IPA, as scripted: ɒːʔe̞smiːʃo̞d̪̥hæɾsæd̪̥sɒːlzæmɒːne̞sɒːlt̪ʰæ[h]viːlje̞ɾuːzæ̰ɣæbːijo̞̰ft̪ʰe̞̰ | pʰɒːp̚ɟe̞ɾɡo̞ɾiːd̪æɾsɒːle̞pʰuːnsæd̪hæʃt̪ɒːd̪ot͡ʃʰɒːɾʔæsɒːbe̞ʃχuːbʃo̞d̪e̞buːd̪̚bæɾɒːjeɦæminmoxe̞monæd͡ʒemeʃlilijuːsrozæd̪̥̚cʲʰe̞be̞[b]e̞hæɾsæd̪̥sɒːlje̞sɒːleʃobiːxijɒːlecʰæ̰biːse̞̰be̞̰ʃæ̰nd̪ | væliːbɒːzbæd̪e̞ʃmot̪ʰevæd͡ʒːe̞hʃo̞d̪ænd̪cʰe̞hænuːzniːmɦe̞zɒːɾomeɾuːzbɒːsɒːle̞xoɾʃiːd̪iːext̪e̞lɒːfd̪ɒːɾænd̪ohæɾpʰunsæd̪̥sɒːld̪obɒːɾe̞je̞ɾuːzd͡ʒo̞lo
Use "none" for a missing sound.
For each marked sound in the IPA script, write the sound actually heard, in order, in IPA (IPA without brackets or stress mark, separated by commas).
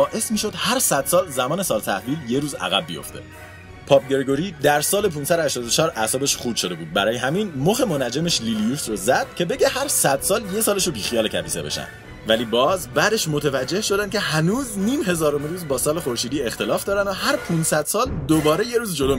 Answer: h, ɟ